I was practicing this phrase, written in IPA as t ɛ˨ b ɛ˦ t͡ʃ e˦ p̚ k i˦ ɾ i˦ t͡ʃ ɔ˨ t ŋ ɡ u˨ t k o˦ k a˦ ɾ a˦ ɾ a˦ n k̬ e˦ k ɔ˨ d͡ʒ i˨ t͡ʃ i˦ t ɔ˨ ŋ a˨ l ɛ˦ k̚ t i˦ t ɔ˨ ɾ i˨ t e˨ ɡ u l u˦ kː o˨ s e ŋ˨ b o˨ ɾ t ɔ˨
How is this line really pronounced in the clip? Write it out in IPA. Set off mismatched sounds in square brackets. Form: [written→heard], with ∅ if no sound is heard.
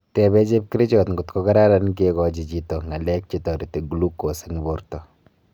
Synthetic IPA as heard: t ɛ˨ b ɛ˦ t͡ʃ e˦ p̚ k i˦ ɾ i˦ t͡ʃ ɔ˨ t ŋ ɡ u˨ t k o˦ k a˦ ɾ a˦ ɾ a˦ n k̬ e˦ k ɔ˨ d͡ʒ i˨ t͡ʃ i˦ t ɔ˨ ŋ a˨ l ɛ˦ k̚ [t→t͡ʃ] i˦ t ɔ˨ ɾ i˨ t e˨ ɡ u l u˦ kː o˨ s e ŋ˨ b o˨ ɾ t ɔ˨